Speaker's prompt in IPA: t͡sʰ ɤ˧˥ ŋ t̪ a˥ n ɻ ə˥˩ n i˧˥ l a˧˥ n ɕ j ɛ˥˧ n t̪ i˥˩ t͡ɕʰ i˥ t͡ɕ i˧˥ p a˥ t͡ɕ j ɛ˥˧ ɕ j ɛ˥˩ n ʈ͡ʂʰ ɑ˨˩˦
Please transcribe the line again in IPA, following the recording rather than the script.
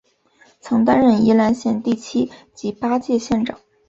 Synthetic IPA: t͡sʰ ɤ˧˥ ŋ t̪ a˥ n ɻ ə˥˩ n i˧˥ l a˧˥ n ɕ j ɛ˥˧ n t̪ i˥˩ t͡ɕʰ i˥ t͡ɕ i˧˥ p a˥ t͡ɕ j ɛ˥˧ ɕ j ɛ˥˩ n ʈ͡ʂ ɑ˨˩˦